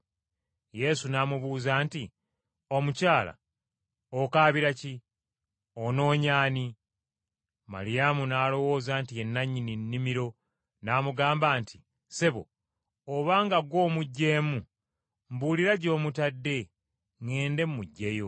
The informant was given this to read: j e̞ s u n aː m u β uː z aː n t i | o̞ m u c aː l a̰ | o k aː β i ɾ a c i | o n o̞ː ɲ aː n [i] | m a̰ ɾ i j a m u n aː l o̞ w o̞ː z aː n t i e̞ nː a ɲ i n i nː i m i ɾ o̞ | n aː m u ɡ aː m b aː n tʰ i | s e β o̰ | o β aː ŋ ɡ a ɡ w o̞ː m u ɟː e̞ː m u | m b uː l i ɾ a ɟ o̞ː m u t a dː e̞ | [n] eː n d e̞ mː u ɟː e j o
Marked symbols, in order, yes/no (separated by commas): yes, no